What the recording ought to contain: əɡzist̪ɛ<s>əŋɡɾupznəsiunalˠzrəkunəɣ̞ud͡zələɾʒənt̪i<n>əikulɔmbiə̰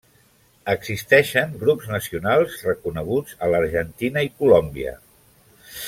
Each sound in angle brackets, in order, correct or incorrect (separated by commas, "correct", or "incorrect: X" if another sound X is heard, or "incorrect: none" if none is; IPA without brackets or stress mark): incorrect: ʃ, correct